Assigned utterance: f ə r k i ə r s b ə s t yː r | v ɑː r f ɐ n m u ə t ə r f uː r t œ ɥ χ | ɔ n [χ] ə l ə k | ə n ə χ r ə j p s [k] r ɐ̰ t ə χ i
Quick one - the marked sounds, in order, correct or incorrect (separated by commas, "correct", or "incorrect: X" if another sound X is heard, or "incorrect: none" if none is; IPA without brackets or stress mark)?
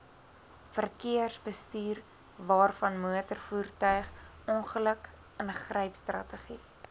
correct, incorrect: t